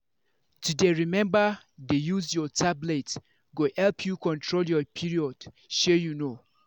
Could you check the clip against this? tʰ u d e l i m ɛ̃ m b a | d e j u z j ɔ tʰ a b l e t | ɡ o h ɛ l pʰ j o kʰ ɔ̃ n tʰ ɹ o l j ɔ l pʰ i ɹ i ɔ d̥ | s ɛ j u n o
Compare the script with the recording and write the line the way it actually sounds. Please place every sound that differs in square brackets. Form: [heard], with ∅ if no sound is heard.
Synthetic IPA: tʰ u d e [ɹ] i m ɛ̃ m b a | d e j u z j ɔ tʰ a b l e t | ɡ o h ɛ l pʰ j [u] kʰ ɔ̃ n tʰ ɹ o l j ɔ [∅] pʰ i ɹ i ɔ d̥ | [ʃ] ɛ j u n o